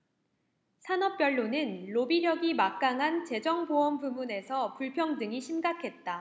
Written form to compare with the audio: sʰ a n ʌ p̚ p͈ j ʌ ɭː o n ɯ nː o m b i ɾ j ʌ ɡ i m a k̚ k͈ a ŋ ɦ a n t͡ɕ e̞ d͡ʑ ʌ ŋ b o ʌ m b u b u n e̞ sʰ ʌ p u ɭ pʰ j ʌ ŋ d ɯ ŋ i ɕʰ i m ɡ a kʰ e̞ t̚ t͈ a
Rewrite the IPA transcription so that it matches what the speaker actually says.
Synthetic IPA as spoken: sʰ a n ʌ p̚ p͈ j ʌ ɭː o n ɯ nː o b i ɾ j ʌ ɡ i m a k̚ k͈ a ŋ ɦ a n t͡ɕ e̞ d͡ʑ ʌ ŋ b o ʌ m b u m u n e̞ sʰ ʌ p u ɭ pʰ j ʌ ŋ d ɯ ŋ i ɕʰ i m ɡ a kʰ e̞ t̚ t͈ a